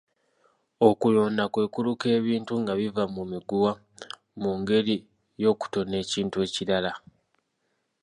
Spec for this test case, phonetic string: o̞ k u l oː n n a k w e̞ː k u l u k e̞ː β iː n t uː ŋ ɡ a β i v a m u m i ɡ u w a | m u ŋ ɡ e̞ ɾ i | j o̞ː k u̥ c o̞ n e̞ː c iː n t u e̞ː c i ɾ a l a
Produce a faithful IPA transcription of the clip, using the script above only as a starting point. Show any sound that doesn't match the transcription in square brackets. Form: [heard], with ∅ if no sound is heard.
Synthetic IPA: o̞ k u l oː n [d] a k w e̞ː k u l u k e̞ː β iː n t [u] ŋ ɡ a β i v a m u m i ɡ u w a | m u ŋ ɡ e̞ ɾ i | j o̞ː k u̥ [t] o̞ n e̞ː c iː n t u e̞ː c i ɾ a l a